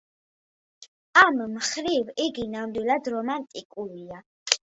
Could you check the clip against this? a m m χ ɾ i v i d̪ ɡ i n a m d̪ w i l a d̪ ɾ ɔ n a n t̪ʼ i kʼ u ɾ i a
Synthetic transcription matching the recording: a m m χ ɾ i v i ɡ i n a m d̪ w i l a d̪ ɾ ɔ m a n t̪ʼ i kʼ u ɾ i a